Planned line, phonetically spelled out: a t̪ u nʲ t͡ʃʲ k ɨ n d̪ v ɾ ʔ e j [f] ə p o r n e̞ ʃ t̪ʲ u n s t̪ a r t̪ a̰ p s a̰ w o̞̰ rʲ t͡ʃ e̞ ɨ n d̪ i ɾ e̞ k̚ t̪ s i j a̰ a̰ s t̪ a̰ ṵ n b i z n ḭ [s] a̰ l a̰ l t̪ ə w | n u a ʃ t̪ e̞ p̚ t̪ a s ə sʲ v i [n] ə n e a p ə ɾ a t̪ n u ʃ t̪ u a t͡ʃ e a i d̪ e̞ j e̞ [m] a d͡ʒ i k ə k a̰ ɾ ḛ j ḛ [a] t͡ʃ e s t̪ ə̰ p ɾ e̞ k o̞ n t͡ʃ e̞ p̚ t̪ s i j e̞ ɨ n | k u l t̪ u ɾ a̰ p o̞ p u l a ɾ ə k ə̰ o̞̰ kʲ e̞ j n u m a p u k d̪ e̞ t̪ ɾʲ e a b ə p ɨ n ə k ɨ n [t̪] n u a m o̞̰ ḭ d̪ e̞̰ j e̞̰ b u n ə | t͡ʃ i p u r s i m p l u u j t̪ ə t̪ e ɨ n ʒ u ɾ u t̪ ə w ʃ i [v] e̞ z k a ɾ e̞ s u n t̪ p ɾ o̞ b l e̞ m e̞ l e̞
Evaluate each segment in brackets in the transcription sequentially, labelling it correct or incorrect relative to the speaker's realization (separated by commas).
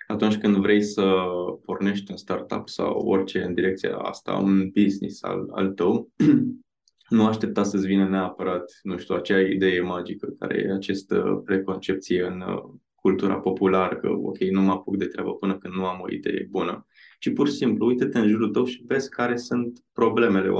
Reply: incorrect, correct, correct, correct, correct, incorrect, correct